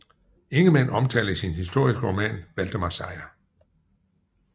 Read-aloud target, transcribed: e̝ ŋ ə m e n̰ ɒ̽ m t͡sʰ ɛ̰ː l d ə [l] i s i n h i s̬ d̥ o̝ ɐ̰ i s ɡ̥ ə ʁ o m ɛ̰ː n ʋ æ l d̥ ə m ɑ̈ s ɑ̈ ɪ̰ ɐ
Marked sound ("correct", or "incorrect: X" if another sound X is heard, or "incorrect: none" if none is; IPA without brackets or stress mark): incorrect: none